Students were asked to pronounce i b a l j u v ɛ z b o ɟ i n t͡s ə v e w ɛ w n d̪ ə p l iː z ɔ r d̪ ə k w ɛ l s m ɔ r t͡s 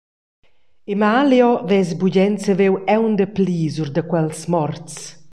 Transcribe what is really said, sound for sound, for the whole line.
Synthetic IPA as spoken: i m a l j ɔ v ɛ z b u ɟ ɛ n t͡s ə v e w ɛ w n d̪ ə p l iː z u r d̪ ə k w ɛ l s m ɔ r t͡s